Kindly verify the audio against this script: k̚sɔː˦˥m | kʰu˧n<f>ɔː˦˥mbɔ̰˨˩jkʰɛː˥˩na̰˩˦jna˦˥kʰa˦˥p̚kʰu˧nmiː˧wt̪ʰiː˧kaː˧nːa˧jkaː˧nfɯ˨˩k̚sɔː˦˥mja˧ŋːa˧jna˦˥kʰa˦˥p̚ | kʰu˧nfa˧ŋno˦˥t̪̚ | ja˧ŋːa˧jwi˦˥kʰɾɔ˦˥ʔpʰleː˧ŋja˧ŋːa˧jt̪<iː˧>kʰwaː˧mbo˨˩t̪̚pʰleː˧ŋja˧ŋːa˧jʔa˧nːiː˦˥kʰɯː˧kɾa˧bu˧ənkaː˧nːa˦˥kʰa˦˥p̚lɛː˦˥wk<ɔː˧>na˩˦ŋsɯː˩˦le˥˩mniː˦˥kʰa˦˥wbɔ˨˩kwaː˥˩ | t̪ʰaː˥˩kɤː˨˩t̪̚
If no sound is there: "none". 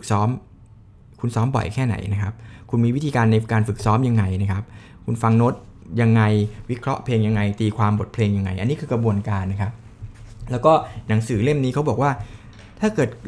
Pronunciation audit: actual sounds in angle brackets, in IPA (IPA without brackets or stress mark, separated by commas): s, iː˧, ɔː˥˩